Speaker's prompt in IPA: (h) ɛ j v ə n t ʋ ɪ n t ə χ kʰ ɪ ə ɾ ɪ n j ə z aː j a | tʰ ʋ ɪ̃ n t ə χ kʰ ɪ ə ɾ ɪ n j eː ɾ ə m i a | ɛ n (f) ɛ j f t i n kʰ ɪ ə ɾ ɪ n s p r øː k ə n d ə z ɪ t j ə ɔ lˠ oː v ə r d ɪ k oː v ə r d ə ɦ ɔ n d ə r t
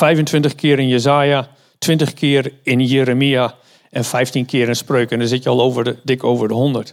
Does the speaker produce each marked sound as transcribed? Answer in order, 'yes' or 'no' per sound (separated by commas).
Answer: no, yes